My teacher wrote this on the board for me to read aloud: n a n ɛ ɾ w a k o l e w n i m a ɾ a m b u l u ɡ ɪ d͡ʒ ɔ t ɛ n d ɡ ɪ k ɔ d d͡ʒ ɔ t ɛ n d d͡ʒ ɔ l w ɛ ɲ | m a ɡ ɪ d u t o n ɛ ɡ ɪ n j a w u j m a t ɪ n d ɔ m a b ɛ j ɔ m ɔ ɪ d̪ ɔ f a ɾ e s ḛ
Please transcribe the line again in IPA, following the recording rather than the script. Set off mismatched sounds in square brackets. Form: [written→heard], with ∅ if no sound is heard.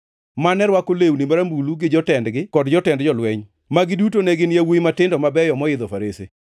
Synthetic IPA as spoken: [n→m] a n ɛ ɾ w a k o l e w n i m a ɾ a m b u l u ɡ ɪ d͡ʒ ɔ t ɛ n d ɡ ɪ k ɔ d d͡ʒ ɔ t ɛ n d d͡ʒ ɔ l w ɛ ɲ | m a ɡ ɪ d u t o n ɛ ɡ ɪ n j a w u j m a t ɪ n d ɔ m a b ɛ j ɔ m ɔ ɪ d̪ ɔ f a ɾ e s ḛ